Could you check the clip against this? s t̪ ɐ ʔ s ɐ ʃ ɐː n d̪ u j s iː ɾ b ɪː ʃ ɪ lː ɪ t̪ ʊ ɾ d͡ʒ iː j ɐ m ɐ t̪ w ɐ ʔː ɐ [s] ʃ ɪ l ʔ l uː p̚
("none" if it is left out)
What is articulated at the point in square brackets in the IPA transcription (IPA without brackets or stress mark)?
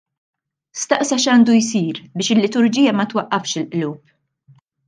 f